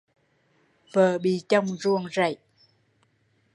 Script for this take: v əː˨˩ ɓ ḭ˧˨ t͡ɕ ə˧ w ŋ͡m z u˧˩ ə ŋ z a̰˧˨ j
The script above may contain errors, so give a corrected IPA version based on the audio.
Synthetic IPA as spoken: v əː˨˩ ɓ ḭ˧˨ t͡ɕ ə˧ w ŋ͡m z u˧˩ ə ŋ z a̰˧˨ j